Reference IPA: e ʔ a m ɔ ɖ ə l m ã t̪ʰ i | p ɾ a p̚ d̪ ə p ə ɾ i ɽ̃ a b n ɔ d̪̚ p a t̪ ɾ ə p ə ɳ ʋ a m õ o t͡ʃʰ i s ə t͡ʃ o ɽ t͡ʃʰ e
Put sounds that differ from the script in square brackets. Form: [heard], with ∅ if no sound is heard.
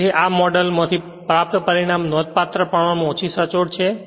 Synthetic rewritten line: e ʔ a m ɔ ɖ ə l m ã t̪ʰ i | p ɾ a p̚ [t̪] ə p ə ɾ i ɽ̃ a [m] n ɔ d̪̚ p a t̪ ɾ ə p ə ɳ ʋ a m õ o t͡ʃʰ i s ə t͡ʃ o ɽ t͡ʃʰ e